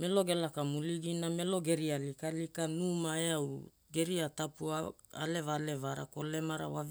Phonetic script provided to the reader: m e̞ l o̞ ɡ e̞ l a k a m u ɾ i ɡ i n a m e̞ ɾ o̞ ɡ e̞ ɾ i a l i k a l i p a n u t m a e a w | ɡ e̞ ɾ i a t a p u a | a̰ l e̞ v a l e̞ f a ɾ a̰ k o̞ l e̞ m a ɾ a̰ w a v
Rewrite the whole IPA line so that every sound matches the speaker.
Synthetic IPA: m e̞ l o̞ ɡ e̞ l a k a m u l i ɡ i n a m e̞ l o̞ ɡ e̞ ɾ i a l i k a l i k a n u m a e a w | ɡ e̞ ɾ i a t a p u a | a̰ l e̞ v a l e̞ v a ɾ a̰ k o̞ l e̞ m a ɾ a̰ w a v